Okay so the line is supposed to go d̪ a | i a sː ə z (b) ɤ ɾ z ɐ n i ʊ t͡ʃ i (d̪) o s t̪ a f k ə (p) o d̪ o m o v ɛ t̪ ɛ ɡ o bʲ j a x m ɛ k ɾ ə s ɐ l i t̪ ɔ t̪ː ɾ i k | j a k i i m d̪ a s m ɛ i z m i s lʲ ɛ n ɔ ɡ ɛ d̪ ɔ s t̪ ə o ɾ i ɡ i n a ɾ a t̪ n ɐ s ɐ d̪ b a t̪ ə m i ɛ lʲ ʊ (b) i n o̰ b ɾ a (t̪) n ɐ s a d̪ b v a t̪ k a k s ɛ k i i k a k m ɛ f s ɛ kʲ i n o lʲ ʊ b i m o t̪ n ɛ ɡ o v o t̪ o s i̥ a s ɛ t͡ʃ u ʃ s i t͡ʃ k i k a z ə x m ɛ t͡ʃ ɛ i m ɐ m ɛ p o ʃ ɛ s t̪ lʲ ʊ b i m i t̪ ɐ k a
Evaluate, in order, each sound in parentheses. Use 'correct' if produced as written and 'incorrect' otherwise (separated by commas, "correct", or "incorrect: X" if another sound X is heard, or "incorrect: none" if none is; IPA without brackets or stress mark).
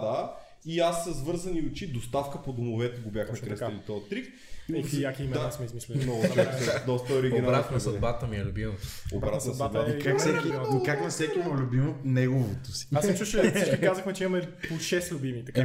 incorrect: v, correct, correct, correct, correct